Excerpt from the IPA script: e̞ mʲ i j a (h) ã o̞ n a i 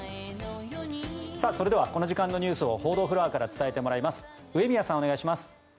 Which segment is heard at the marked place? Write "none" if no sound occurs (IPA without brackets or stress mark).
s